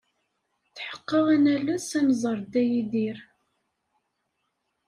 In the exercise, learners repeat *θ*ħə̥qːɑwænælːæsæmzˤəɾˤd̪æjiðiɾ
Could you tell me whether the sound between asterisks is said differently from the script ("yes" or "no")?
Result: no